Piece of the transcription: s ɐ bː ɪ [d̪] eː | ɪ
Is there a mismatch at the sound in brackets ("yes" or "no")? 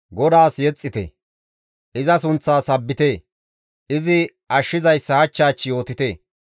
yes